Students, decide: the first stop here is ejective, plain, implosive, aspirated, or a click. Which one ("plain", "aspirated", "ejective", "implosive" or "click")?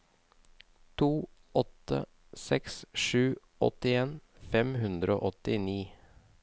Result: aspirated